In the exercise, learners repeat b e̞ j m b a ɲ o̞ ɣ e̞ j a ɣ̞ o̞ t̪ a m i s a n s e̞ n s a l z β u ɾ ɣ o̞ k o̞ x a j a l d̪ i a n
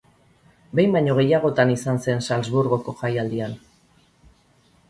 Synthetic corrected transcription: b e̞ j m b a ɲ o̞ ɣ e̞ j a ɣ̞ o̞ t̪ a n i s a n s e̞ n s a l z β u ɾ ɣ o̞ k o̞ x a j a l d̪ i a n